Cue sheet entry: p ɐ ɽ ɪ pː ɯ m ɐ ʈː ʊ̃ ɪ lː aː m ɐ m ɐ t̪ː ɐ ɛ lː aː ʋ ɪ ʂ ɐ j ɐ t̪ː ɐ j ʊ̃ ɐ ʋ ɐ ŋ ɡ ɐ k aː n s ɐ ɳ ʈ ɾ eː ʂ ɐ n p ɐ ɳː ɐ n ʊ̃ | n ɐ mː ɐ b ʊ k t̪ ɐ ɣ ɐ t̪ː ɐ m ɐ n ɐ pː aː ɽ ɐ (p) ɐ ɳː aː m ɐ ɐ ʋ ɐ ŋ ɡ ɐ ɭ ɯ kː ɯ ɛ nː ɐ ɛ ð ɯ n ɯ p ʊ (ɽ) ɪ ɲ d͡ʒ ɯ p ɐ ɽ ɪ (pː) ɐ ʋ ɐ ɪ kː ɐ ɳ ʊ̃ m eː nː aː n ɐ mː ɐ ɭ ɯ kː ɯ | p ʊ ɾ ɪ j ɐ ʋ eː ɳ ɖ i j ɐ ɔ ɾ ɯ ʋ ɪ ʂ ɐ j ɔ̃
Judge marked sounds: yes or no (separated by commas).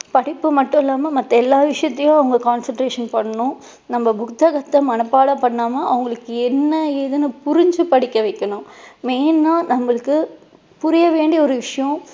yes, no, no